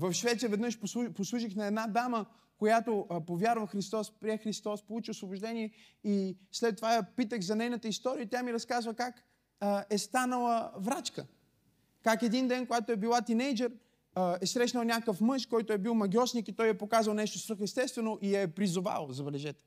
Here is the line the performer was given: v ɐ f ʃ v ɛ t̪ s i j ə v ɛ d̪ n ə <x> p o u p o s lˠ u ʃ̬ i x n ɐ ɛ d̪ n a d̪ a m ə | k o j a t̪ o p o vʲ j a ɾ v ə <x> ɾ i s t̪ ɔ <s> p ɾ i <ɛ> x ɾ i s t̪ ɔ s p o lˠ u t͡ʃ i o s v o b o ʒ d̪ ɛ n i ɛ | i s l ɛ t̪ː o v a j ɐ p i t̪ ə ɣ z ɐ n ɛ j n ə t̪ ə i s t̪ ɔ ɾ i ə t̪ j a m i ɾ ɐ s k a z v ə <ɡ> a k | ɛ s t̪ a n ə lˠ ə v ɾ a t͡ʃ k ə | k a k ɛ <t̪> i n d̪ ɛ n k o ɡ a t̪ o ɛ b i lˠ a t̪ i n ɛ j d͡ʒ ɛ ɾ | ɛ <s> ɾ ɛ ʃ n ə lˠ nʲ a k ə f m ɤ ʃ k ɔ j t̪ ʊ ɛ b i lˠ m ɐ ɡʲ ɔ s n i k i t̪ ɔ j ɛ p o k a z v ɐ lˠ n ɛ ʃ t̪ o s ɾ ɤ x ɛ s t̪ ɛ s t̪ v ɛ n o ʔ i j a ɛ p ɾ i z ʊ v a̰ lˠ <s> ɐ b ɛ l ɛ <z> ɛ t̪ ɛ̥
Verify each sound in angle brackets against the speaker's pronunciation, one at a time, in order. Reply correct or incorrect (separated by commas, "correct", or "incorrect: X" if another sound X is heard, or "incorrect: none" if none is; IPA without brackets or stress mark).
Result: incorrect: ʃ, correct, correct, correct, incorrect: k, incorrect: d̪, correct, incorrect: z, incorrect: ʒ